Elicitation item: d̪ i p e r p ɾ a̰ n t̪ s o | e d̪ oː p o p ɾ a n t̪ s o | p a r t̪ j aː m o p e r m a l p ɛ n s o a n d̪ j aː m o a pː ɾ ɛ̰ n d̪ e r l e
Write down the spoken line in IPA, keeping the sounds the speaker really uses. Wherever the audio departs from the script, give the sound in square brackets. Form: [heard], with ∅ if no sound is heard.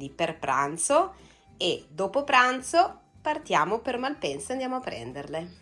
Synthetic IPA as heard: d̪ i p e r p ɾ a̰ n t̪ s o | e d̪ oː p o p ɾ a n t̪ s o | p a r t̪ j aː m o p e r m a l p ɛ n s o a n d̪ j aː m o a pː ɾ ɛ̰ n d̪ e r l e